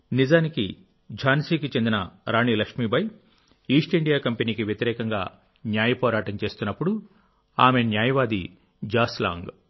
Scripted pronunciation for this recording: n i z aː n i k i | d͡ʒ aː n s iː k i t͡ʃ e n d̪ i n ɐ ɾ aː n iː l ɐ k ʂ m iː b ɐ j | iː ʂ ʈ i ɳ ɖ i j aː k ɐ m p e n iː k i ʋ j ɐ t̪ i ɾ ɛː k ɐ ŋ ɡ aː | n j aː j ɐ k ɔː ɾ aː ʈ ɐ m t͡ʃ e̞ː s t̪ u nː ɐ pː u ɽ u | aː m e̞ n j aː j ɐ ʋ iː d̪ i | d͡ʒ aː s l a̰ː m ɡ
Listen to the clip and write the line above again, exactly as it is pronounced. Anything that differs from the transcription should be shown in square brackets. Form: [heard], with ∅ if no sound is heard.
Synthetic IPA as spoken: n i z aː n i k i | d͡ʒ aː n s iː k i t͡ʃ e n d̪ i n ɐ ɾ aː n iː l ɐ k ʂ m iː b ɐ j | iː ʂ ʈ i ɳ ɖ i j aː k ɐ m p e n iː k i ʋ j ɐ t̪ i ɾ ɛː k ɐ ŋ ɡ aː | n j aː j ɐ [p] ɔː ɾ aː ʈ ɐ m t͡ʃ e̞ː s t̪ u nː ɐ pː u ɽ u | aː m e̞ n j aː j ɐ ʋ [aː] d̪ i | d͡ʒ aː s l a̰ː [ŋ] ɡ

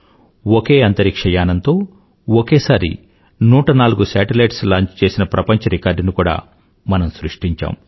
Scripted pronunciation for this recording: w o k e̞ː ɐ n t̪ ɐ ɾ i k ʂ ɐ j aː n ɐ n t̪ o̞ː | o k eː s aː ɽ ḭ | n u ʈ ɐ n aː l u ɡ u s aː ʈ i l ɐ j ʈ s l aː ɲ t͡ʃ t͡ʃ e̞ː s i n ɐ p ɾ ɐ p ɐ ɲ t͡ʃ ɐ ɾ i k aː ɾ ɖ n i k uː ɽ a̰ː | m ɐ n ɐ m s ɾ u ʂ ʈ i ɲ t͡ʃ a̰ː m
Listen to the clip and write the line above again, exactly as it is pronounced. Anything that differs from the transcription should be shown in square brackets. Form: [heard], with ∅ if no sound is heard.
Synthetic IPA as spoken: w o k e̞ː ɐ n t̪ ɐ ɾ i k ʂ ɐ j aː n ɐ n t̪ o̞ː | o k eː s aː [ɾ] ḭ | n [uː] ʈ ɐ n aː l u ɡ u s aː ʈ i l ɐ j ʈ s l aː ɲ t͡ʃ t͡ʃ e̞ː s i n ɐ p ɾ ɐ p ɐ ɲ t͡ʃ ɐ ɾ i k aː ɾ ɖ n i k uː ɽ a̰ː | m ɐ n ɐ m s ɾ u ʂ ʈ i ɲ t͡ʃ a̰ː m

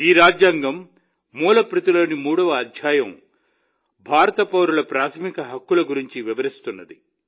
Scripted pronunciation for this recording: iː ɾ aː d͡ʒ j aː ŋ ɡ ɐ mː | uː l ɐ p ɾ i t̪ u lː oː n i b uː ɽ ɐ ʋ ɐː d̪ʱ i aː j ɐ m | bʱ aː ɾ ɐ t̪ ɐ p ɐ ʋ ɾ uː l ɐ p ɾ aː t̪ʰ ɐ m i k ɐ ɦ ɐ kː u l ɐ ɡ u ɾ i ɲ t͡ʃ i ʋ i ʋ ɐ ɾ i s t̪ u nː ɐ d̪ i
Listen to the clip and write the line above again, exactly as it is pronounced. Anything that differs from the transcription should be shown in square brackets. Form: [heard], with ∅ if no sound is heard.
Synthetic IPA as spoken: iː ɾ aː d͡ʒ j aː ŋ ɡ ɐ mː | uː l ɐ p ɾ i t̪ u [l] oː n i [m] uː ɽ ɐ ʋ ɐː d̪ʱ [j] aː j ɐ m | bʱ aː ɾ ɐ t̪ ɐ p ɐ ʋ ɾ [u] l ɐ p ɾ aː t̪ʰ ɐ m i k ɐ ɦ ɐ kː u l ɐ ɡ u ɾ i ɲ t͡ʃ i ʋ i ʋ ɐ ɾ i s t̪ u nː ɐ d̪ i

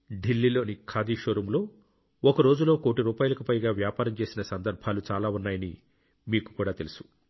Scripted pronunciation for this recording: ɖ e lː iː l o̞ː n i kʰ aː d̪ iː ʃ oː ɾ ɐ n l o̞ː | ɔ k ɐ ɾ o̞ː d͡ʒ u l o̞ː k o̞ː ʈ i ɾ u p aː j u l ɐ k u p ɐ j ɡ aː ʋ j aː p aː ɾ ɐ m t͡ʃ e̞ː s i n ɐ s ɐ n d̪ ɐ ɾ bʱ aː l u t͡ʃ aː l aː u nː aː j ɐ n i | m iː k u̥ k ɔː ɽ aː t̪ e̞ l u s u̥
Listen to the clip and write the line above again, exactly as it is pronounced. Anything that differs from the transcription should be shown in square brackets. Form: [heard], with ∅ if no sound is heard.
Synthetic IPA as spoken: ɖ [i] lː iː l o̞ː n i kʰ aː d̪ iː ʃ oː ɾ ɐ [m] l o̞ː | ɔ k ɐ ɾ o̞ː d͡ʒ u l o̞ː k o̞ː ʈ i ɾ [uː] p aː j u l ɐ k u p ɐ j ɡ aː ʋ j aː p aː ɾ ɐ m t͡ʃ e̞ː s i n ɐ s ɐ n d̪ ɐ ɾ bʱ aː l u t͡ʃ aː l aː u nː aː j ɐ n i | m iː k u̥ k [uː] ɽ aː t̪ e̞ l u s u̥

